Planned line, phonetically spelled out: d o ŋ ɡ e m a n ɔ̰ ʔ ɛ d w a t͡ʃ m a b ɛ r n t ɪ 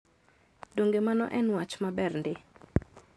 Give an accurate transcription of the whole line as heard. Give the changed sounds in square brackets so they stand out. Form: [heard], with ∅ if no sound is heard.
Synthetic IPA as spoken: d o ŋ ɡ e m a n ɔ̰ ʔ ɛ [n] w a t͡ʃ m a b ɛ r n [d] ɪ

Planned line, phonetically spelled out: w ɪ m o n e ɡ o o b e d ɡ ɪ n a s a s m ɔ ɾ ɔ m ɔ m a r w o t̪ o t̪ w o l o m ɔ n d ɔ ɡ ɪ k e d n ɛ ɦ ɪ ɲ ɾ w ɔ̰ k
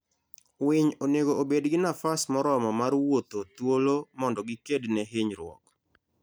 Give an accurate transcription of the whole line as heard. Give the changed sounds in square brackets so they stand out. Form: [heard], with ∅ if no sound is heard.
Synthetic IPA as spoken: w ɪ [ɲ] o n e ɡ o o b e d ɡ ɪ n a [f] a s m ɔ ɾ ɔ m ɔ m a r w o t̪ o t̪ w o l o m ɔ n d ɔ ɡ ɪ k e d n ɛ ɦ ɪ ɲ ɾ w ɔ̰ k

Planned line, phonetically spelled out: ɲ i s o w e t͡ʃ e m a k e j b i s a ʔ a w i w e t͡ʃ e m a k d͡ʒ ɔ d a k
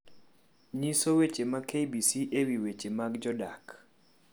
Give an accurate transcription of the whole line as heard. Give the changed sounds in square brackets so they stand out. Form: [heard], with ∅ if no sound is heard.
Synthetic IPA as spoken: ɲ i s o w e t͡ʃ e m a k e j b i s [i] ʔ [e] w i w e t͡ʃ e m a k d͡ʒ ɔ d a k

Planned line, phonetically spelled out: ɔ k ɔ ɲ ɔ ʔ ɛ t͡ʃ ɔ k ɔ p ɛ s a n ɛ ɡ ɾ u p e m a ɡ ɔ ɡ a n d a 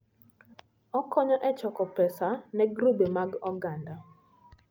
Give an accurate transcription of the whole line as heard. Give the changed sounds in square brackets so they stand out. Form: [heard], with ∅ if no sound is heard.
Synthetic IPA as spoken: ɔ k ɔ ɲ ɔ ʔ ɛ t͡ʃ ɔ k ɔ p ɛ s a n ɛ ɡ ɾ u [b] e m a ɡ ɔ ɡ a n d a

